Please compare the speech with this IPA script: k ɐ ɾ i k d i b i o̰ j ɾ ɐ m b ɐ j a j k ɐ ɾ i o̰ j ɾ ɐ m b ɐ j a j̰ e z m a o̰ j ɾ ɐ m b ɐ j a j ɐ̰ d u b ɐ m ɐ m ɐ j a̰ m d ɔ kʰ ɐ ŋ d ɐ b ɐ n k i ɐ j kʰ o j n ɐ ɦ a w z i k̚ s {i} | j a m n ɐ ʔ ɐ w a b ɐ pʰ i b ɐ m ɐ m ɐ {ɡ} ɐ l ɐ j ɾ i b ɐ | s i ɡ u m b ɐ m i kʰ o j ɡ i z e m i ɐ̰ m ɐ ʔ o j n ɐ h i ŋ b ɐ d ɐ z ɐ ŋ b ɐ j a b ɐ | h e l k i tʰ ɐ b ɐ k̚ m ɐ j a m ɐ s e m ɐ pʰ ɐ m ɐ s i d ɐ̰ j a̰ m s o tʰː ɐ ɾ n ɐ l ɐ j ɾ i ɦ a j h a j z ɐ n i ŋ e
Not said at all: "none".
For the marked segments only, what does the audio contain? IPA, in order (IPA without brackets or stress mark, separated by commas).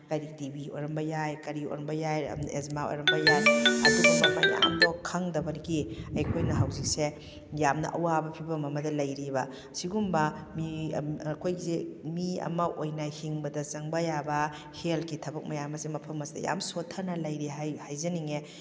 e, d